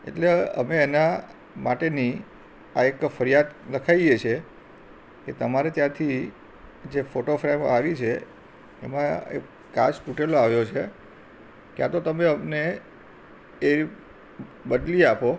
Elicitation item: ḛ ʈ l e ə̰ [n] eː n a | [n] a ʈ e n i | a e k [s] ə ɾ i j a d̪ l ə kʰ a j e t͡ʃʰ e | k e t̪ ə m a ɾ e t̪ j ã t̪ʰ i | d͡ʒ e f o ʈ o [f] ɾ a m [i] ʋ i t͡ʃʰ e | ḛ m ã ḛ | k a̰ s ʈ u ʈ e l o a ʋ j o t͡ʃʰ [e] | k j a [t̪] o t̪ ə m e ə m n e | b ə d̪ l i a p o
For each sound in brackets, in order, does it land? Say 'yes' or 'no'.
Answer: no, no, no, yes, no, yes, yes

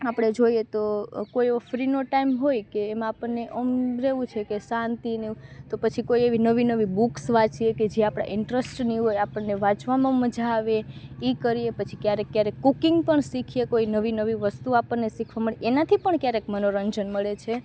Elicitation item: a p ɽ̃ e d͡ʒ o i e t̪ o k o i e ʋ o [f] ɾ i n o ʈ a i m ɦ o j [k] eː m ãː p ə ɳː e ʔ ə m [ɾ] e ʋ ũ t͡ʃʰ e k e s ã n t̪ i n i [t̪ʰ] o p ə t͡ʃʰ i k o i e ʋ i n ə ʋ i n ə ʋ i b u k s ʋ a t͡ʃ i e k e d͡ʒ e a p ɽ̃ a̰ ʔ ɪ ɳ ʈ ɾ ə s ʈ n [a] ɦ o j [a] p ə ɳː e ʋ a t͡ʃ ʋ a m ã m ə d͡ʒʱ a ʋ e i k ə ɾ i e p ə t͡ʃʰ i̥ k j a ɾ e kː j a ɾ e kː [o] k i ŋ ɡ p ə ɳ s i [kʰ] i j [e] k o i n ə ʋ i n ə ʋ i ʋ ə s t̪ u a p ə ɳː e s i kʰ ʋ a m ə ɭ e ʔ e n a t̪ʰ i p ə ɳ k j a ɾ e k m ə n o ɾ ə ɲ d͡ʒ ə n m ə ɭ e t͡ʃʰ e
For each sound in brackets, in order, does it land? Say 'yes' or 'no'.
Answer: yes, yes, yes, no, no, yes, no, yes, yes

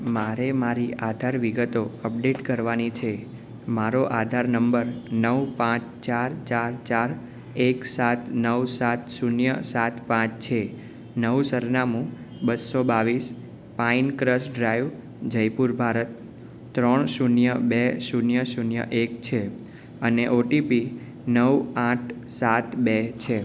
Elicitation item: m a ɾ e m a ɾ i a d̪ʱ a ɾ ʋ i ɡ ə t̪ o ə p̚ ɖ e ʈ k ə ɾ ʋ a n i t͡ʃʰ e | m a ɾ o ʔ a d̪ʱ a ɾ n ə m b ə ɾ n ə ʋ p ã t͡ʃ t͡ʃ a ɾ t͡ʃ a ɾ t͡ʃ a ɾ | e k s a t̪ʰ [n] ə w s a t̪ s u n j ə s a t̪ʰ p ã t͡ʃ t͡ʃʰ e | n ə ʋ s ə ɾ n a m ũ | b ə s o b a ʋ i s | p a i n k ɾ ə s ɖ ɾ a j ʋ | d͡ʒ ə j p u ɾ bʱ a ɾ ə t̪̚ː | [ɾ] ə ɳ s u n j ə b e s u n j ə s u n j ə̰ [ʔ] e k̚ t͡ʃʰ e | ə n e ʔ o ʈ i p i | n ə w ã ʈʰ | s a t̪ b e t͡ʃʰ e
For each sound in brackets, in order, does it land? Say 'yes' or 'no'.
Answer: yes, yes, yes

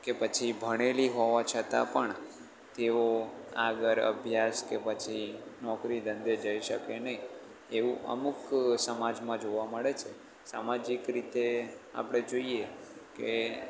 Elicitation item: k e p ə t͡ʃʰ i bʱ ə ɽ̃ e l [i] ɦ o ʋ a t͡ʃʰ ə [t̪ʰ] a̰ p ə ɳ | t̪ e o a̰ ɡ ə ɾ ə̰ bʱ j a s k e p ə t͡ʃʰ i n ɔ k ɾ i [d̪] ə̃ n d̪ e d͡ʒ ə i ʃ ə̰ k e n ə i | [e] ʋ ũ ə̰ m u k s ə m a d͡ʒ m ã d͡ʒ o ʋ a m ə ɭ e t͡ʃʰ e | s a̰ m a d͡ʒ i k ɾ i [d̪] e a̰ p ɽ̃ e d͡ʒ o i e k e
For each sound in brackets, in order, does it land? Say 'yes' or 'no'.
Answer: yes, no, yes, yes, no

